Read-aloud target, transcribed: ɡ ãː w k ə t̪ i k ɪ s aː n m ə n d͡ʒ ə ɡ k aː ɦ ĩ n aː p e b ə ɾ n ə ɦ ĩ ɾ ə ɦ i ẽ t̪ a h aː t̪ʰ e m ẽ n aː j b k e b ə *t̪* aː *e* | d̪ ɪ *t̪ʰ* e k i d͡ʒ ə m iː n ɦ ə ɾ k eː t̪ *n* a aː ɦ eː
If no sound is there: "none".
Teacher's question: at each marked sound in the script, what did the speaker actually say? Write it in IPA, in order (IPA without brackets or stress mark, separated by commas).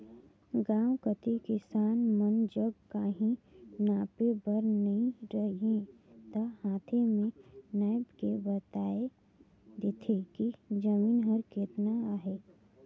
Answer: t̪, e, t̪ʰ, n